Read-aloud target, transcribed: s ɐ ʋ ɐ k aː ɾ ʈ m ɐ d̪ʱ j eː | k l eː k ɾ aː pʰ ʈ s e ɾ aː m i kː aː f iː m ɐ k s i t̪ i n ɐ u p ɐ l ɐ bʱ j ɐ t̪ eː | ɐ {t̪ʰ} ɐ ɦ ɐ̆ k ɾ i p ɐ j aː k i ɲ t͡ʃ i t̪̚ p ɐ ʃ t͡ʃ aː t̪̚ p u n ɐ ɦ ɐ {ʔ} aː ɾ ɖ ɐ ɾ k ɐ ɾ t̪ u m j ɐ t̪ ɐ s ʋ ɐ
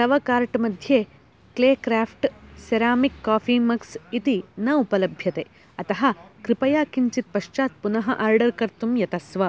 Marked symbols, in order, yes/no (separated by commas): no, yes